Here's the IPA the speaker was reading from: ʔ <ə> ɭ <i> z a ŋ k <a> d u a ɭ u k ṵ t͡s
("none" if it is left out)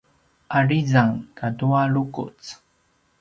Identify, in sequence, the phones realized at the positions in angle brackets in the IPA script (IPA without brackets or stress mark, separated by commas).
a, i, a